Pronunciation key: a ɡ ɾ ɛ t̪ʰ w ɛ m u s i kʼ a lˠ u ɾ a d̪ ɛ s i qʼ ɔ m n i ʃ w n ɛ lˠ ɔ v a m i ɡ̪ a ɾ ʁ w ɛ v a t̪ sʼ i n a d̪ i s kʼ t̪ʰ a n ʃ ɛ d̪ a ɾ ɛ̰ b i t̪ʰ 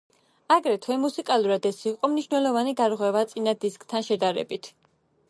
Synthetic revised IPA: a ɡ ɾ ɛ t̪ʰ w ɛ m u s i kʼ a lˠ u ɾ a d̪ ɛ s i qʼ ɔ m n i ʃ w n ɛ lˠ ɔ v a n i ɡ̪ a ɾ ʁ w ɛ v a t̪ sʼ i n a d̪ i s kʼ t̪ʰ a n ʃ ɛ d̪ a ɾ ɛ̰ b i t̪ʰ